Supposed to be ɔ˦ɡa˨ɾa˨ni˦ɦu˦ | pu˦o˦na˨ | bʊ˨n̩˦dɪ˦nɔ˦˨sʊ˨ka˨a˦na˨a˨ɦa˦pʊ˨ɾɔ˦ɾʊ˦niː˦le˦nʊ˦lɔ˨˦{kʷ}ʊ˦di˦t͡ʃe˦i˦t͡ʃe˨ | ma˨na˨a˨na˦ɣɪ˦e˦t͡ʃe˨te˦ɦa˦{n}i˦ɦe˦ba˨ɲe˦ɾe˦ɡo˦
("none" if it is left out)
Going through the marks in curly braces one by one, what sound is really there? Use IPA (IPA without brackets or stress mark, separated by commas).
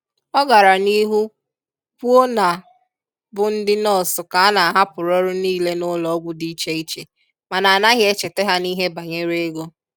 ɡʷ, n